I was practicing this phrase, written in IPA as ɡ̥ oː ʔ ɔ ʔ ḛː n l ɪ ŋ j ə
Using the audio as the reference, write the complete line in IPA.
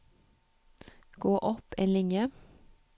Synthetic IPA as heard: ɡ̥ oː ʔ ɔ p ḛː n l ɪ ŋ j ə

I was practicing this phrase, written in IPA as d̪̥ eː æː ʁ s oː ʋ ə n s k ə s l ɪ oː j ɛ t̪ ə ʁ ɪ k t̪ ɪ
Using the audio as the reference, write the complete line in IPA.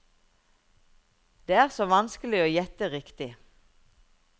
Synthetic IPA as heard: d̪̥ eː æː ʁ s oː ʋ ɑ n s k ə l ɪ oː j ɛ t̪ ə ʁ ɪ k t̪ ɪ

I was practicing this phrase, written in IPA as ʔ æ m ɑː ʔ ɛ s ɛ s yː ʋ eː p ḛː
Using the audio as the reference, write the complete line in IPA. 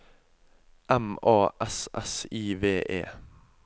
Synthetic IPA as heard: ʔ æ m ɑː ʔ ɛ s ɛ s iː ʋ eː ʔ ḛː

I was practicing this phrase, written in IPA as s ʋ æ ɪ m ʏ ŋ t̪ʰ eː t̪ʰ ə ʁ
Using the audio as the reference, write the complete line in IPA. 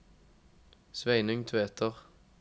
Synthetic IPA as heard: s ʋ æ ɪ n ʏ ŋ t̪ʰ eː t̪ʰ ə ʁ

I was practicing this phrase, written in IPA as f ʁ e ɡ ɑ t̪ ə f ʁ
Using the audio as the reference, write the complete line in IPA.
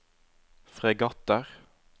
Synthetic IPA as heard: f ʁ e ɡ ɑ t̪ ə ʁ

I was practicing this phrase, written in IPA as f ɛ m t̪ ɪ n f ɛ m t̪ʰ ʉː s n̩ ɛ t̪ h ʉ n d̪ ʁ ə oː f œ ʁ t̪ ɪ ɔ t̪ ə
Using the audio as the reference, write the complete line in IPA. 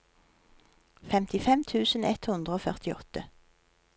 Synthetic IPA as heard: f ɛ m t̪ ɪ f ɛ m t̪ʰ ʉː s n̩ ɛ t̪ h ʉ n d̪ ʁ ə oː f œ ʁ t̪ ɪ ɔ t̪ ə

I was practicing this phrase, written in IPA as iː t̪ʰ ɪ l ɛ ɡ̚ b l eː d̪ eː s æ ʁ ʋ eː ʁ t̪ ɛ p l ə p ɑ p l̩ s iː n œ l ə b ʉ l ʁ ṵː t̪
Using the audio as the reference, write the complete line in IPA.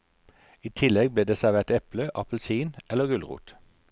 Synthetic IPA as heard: iː t̪ʰ ɪ l ɛ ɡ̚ b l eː d̪ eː s æ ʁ ʋ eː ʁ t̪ ɛ p l ə ʔ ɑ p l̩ s iː n ɛ l ə ɡ ʉ l ʁ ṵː t̪

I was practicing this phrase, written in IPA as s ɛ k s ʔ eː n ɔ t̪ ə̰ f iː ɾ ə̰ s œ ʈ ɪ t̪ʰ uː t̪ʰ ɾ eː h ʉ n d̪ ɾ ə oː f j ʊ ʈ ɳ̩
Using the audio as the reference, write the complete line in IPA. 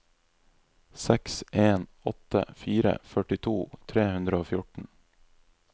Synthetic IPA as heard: s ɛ k s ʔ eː n ɔ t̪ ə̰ f iː ɾ ə̰ f œ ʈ ɪ t̪ʰ uː t̪ʰ ɾ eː h ʉ n d̪ ɾ ə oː f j ʊ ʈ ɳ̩

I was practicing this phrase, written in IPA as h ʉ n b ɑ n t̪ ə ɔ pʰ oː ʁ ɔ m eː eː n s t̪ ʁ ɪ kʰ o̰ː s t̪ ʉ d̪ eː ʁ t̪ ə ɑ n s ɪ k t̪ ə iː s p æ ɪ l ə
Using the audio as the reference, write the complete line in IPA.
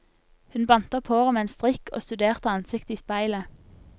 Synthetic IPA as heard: h ʉ n b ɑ n t̪ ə ɔ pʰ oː ʁ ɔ m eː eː n s t̪ ʁ ɪ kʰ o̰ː s t̪ ʉ d̪ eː ʁ t̪ ə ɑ n s ɪ k t̪ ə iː s p æ ɪ l ə

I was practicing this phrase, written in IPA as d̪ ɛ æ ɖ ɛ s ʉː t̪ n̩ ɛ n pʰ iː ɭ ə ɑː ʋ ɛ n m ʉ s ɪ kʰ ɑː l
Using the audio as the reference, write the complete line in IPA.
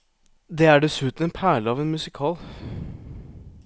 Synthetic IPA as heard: d̪ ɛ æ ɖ ɛ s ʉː t̪ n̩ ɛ n pʰ æː ɭ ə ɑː ʋ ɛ n m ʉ s ɪ kʰ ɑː l

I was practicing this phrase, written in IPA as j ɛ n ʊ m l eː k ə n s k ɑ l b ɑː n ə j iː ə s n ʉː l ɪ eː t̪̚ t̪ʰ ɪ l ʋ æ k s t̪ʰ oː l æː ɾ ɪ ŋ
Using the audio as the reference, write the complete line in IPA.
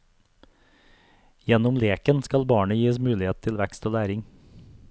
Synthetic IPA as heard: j ɛ n ʊ m l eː k ə n s k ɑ l b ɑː ɳ ə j iː ə s m ʉː l ɪ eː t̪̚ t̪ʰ ɪ l ʋ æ k s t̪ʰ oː l æː ɾ ɪ ŋ

